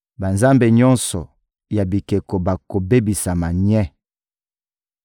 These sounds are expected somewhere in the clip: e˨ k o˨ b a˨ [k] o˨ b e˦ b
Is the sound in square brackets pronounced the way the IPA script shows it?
yes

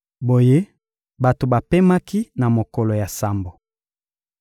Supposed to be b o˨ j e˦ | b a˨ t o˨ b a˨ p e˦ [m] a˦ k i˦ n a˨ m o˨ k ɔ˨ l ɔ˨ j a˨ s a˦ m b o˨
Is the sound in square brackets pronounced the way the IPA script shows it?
yes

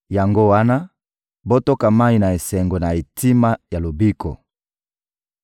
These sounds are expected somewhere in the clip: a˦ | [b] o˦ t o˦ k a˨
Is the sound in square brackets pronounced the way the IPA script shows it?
yes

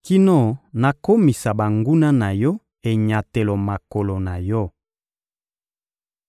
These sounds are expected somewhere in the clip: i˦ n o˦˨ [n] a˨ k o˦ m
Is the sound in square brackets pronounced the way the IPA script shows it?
yes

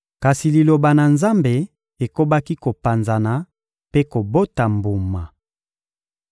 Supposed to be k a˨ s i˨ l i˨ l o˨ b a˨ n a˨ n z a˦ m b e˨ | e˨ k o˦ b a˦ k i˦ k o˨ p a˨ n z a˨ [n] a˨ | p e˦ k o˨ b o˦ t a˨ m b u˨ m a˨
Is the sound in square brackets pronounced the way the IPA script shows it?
yes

